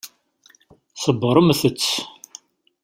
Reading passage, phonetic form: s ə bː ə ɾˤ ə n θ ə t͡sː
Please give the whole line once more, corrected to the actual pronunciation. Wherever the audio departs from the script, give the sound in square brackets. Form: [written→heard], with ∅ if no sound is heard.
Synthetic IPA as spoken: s ə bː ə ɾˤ ə [n→m] θ ə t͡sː